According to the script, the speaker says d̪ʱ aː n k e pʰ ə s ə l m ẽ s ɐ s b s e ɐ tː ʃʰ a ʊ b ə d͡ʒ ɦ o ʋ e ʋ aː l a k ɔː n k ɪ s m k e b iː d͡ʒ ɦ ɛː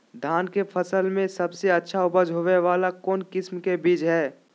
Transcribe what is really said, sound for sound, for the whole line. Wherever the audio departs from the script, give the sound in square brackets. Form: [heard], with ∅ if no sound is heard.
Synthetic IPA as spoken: d̪ʱ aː n k e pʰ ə s ə l m ẽ s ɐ [∅] b s e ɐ tː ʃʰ a ʊ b ə d͡ʒ ɦ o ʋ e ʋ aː l a k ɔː n k ɪ s m k e b iː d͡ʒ ɦ ɛː